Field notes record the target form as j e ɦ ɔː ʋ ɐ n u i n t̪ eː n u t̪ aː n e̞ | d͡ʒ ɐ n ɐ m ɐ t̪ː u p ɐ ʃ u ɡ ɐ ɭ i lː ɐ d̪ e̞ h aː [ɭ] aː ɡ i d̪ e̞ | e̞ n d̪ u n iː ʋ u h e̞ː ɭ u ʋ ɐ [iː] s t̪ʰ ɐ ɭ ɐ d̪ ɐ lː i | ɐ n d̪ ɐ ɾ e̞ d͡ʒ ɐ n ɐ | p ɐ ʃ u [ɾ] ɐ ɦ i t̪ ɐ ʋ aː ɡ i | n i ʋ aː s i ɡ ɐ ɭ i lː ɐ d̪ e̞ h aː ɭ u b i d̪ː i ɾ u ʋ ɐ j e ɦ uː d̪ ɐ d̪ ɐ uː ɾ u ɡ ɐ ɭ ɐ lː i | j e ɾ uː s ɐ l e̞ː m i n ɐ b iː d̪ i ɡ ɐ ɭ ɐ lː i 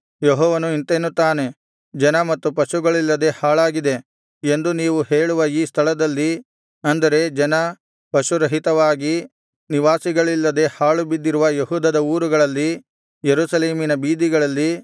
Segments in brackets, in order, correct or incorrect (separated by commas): correct, correct, correct